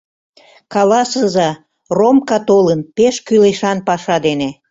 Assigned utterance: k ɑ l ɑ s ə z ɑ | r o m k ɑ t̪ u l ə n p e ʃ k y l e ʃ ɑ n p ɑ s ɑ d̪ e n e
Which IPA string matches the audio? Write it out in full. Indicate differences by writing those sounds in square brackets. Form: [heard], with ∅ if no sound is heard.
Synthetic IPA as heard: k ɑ l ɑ s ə z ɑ | r o m k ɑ t̪ [o] l ə n p e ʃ k y l e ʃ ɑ n p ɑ [ʃ] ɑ d̪ e n e